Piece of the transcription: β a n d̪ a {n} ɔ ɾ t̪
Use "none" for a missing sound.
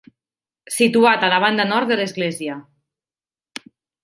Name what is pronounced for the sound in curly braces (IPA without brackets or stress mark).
n